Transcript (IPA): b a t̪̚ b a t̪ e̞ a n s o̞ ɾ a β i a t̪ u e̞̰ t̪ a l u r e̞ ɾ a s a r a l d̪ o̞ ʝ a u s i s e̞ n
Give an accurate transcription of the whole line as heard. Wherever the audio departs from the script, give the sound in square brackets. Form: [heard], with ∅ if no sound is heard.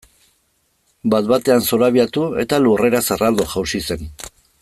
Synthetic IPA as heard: b a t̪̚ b a t̪ e̞ a n s o̞ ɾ a β i a t̪ u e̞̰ t̪ a l u r e̞ ɾ a s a r a l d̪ o̞ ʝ a [w] s i s e̞ n